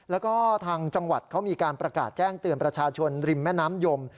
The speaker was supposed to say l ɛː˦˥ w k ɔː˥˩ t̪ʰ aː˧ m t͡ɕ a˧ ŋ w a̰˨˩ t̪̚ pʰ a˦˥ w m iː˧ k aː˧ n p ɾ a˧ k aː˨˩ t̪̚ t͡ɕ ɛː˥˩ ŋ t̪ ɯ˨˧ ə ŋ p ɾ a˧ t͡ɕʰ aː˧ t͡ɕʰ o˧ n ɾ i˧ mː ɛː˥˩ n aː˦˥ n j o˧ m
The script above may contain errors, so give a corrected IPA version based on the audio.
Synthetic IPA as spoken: l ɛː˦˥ w k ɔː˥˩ t̪ʰ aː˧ ŋ t͡ɕ a˧ ŋ w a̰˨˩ t̪̚ kʰ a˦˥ w m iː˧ k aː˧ n p ɾ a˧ k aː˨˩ t̪̚ t͡ɕ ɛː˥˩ ŋ t̪ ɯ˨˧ ə n p ɾ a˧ t͡ɕʰ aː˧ t͡ɕʰ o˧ n ɾ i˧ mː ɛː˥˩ n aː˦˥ m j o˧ m